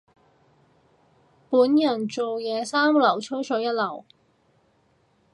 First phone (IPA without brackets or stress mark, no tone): p